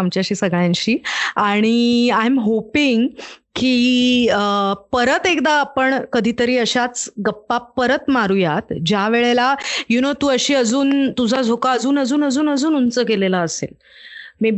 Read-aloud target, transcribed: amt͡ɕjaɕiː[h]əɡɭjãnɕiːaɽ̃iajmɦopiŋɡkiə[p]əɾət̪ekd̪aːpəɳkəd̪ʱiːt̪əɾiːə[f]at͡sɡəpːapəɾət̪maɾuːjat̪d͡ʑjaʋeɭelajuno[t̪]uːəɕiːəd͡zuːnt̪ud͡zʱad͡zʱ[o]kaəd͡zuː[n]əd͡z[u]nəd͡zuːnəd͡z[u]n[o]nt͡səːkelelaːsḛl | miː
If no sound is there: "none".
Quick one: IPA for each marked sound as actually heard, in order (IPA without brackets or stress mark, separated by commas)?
s, p, ɕ, t̪, o, n, uː, uː, u